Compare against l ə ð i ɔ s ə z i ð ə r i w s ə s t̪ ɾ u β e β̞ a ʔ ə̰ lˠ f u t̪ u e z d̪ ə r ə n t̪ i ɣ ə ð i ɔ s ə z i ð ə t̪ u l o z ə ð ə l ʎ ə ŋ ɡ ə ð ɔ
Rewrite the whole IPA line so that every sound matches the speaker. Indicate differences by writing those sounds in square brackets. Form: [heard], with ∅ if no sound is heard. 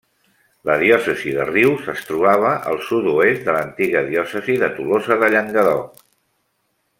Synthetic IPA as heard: l ə ð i ɔ s ə z i ð ə r i w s ə s t̪ ɾ u β [a] β̞ [ə] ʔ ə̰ lˠ [s] u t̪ u e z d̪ ə [l] ə n t̪ i ɣ ə ð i ɔ s ə z i ð ə t̪ u l o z ə ð ə [∅] ʎ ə ŋ ɡ ə ð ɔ

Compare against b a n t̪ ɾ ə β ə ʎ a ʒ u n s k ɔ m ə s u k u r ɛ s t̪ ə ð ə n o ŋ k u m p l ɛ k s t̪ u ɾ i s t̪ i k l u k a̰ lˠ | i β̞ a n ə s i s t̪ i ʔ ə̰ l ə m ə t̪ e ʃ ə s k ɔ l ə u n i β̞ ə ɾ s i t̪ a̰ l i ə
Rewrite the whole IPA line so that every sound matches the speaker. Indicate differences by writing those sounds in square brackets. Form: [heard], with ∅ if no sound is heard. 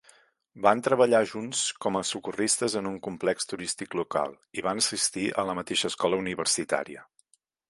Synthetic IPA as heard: b a n t̪ ɾ ə β ə ʎ a ʒ u n s k ɔ m ə s u k u r [i] s t̪ ə [z] ə n [u] ŋ k u m p l ɛ k s t̪ u ɾ i s t̪ i k l u k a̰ lˠ | i β̞ a n ə s i s t̪ i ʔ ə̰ l ə m ə t̪ e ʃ ə s k ɔ l ə u n i β̞ ə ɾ s i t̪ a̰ [ɾ] i ə

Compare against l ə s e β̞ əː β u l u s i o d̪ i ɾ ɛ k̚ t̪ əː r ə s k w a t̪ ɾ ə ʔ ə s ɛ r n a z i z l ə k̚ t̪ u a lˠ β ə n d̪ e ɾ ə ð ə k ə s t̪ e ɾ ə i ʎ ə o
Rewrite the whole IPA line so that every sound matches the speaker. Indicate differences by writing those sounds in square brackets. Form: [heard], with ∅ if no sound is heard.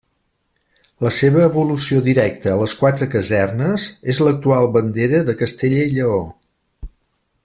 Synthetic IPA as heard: l ə s e β̞ əː β u l u s i o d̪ i ɾ ɛ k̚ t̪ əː [l] ə s k w a t̪ ɾ ə [k] ə [z] ɛ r n [ə] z [e] z l ə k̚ t̪ u a lˠ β ə n d̪ e ɾ ə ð ə k ə s t̪ e [ʎ] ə i ʎ ə o

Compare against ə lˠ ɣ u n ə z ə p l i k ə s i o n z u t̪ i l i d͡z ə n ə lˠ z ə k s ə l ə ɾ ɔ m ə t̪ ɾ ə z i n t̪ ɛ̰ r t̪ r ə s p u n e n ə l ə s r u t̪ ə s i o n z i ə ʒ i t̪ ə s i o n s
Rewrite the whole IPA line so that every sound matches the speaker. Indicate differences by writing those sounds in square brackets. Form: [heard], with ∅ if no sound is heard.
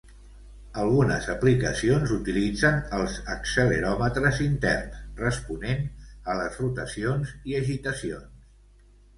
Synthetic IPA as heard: ə lˠ ɣ u n ə z ə p l i k ə s i o n z u t̪ i l i d͡z ə n ə lˠ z ə k s ə l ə ɾ ɔ m ə t̪ ɾ ə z i n t̪ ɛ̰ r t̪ r ə s p u n e n ə l ə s r u t̪ ə s i o n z i ə ʒ i t̪ ə s i o n s

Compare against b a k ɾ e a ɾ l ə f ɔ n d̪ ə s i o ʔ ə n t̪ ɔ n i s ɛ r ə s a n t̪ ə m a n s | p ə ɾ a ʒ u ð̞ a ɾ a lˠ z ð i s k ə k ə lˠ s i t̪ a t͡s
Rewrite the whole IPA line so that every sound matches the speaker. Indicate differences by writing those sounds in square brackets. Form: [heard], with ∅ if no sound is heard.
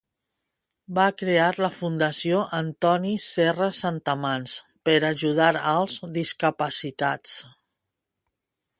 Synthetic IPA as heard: b a k ɾ e a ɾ l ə f [u] n d̪ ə s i o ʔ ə n t̪ ɔ n i s ɛ r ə s a n t̪ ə m a n s | p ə ɾ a ʒ u ð̞ a ɾ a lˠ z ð i s k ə [p] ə [∅] s i t̪ a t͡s

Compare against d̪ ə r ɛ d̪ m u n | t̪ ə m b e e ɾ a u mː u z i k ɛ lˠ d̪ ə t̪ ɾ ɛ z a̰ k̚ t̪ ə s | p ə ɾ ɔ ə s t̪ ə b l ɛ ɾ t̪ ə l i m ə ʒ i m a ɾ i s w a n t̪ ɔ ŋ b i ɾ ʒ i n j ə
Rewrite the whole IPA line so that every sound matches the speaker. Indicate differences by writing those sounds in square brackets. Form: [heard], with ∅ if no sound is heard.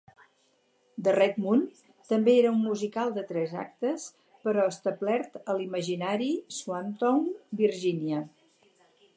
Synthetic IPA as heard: d̪ ə r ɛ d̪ m u n | t̪ ə m b e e ɾ [ə] u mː u z i k [a] lˠ d̪ ə t̪ ɾ ɛ z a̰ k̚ t̪ ə s | p ə ɾ ɔ ə s t̪ ə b l ɛ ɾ t̪ ə l i m ə ʒ i [n] a ɾ i s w a n t̪ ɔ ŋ b i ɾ ʒ i n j ə

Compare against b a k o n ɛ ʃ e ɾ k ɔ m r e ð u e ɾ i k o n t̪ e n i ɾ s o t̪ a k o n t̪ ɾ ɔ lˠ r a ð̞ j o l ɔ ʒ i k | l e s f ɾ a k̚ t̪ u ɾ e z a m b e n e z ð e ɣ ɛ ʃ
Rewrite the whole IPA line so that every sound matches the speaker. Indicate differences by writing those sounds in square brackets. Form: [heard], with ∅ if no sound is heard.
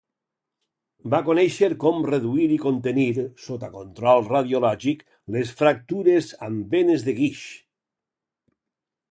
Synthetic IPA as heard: b a k o n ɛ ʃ e ɾ k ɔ m r e ð u [i] ɾ i k o n t̪ e n i ɾ s o t̪ a k o n t̪ ɾ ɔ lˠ r a ð̞ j o l ɔ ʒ i k | l e s f ɾ a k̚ t̪ u ɾ e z a m b e n e z ð e ɣ [i] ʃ

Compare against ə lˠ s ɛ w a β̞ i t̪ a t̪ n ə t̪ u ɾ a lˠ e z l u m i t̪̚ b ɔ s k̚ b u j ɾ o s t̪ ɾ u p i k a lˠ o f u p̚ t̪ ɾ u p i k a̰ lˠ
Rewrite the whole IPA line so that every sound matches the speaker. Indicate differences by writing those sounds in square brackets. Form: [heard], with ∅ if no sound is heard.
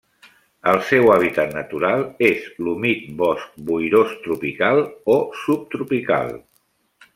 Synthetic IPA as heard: ə lˠ s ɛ w a β̞ i t̪ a t̪ n ə t̪ u ɾ a lˠ e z l u m i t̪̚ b ɔ s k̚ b u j ɾ o s t̪ ɾ u p i k a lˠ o [s] u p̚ t̪ ɾ u p i k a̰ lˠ

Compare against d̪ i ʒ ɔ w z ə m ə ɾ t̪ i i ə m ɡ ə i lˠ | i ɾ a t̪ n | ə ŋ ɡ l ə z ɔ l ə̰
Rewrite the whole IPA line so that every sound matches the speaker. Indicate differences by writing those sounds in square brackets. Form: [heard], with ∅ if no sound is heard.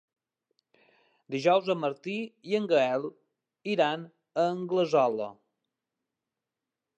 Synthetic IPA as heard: d̪ i ʒ ɔ w z ə m ə ɾ t̪ i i ə [ŋ] ɡ ə [ɛ] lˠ | i ɾ a [∅] n | ə ŋ ɡ l ə z ɔ l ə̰

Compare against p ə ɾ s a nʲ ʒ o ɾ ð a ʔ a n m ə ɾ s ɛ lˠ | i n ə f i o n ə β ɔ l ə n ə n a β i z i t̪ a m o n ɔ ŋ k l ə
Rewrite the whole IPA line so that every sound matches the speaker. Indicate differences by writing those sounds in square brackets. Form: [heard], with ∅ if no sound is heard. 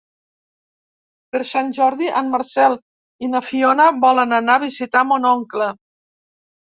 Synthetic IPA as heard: p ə ɾ s a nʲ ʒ [ɔ] ɾ ð [i] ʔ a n m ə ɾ s ɛ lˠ | i n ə f i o n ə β ɔ l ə n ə n a β i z i t̪ a m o n ɔ ŋ k l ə

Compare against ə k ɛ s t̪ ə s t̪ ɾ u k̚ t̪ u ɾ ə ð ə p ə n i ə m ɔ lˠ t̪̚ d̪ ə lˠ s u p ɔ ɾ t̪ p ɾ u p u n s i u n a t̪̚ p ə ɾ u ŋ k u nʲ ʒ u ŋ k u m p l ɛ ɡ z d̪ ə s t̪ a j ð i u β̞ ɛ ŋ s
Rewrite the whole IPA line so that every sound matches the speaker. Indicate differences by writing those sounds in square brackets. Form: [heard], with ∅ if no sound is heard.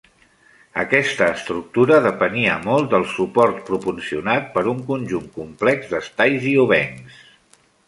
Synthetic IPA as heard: ə k ɛ s t̪ [əː] s t̪ ɾ u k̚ t̪ u ɾ ə ð ə p ə n i ə m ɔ lˠ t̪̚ d̪ ə lˠ s u p ɔ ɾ t̪ p ɾ u p u n s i u n a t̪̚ p ə ɾ u ŋ k u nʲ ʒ u ŋ k u m p l ɛ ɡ z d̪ ə s t̪ a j [z] i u β̞ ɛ ŋ s

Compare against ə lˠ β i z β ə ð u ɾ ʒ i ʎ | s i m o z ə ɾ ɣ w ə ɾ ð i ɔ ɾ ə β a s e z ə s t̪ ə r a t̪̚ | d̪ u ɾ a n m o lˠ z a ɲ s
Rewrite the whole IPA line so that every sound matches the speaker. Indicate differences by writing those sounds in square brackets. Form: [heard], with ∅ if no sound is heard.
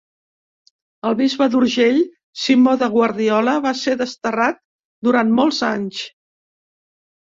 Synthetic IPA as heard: ə lˠ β i z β ə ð u ɾ ʒ [e] ʎ | s i m o [ð] ə [∅] ɣ w ə ɾ ð i ɔ [l] ə β a s e [ð] ə s t̪ ə r a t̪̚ | d̪ u ɾ a n m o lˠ z a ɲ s

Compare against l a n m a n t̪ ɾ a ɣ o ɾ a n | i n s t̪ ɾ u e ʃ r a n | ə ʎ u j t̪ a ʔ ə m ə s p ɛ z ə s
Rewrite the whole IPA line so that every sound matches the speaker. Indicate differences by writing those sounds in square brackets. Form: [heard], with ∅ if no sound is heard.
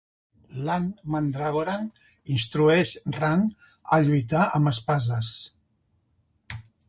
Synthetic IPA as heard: l a n m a n [d̪] ɾ a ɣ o ɾ a n | i n s t̪ ɾ u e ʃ r a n | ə ʎ u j t̪ a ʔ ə m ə s p [a] z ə s

